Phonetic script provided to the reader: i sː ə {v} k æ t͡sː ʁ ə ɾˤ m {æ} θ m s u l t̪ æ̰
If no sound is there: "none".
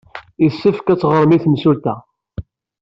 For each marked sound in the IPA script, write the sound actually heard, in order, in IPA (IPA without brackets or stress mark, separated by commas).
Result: f, i